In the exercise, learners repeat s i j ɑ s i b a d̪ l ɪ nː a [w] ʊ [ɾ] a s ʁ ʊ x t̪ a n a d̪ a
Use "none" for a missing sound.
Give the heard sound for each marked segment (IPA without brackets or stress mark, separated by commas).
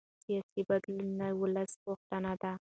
w, l